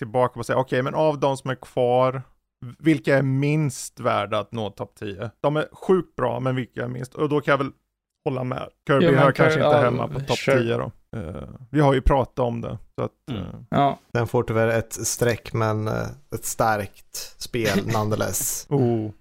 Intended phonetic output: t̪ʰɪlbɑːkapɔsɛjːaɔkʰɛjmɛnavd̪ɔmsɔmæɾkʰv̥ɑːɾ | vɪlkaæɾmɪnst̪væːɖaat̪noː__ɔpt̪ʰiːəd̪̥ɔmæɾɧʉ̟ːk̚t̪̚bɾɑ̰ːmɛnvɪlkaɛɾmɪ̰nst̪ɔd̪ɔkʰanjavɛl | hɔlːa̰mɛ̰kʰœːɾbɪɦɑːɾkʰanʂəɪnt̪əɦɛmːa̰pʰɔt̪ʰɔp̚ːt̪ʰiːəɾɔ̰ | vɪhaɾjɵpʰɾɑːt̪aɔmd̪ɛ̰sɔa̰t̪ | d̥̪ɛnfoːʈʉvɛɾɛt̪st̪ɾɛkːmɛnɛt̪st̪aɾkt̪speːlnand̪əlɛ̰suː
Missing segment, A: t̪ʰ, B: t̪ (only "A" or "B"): A